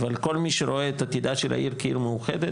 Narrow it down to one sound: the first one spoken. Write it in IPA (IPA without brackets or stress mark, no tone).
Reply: v